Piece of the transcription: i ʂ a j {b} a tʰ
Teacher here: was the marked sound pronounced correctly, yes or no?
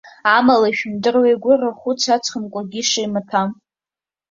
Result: no